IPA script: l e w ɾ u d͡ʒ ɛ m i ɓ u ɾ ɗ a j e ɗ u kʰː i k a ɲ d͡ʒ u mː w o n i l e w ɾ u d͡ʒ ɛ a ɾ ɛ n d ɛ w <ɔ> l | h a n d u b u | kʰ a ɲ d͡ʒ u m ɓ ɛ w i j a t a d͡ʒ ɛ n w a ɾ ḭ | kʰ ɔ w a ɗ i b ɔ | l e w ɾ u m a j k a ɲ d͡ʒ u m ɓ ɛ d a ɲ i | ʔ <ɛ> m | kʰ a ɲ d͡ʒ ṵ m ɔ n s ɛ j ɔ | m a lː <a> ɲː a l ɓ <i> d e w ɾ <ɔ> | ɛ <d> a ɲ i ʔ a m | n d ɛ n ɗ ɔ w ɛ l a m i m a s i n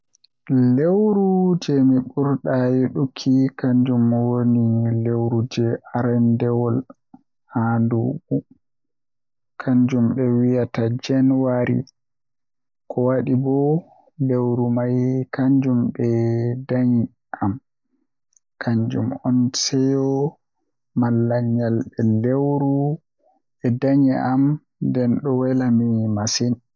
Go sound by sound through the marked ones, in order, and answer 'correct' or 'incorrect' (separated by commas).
correct, incorrect, correct, incorrect, incorrect, correct